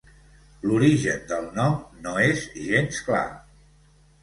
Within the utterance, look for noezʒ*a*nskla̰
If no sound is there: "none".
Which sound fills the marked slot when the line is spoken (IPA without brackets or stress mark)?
e